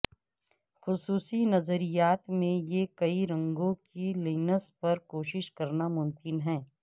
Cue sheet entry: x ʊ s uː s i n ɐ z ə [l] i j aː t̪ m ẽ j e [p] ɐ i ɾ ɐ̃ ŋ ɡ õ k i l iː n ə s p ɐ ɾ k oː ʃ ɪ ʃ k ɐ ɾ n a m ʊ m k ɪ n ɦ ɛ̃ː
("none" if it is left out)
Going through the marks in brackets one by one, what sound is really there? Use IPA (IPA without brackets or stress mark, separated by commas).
ɾ, k